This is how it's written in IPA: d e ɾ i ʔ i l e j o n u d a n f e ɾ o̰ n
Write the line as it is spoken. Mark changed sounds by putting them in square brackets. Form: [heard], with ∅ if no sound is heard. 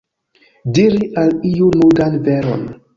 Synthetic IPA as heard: d [i] ɾ i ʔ [a] l [i] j [u] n u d a n [v] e ɾ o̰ n